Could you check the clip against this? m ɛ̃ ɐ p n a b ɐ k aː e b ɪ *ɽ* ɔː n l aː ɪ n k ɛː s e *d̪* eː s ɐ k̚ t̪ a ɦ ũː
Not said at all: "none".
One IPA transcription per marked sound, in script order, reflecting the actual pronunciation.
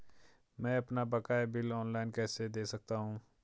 l, d̪

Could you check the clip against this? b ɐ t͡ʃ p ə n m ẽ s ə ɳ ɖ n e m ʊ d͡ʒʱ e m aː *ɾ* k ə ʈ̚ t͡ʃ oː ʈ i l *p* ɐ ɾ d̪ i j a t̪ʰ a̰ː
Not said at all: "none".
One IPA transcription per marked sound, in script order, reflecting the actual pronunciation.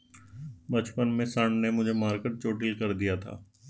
ɾ, k

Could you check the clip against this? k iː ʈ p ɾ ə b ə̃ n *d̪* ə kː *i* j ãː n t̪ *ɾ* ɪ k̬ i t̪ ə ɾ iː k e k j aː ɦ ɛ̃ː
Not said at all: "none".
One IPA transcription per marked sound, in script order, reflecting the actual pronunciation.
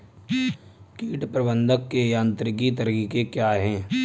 d̪, e, ɾ

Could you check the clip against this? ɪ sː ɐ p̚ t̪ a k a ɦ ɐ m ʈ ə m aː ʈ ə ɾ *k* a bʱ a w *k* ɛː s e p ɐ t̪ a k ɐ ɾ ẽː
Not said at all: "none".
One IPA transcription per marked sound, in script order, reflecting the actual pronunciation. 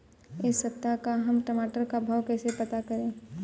k, k

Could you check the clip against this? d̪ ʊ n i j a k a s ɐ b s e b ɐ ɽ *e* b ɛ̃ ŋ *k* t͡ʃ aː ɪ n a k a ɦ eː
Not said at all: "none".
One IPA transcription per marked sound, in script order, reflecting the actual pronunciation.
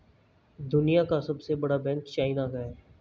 a, k

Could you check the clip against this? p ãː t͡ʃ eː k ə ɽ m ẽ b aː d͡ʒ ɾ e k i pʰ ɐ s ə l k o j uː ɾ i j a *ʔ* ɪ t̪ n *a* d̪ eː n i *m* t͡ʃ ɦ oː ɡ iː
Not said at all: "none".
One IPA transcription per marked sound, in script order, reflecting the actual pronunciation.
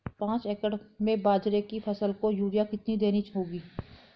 k, i, none

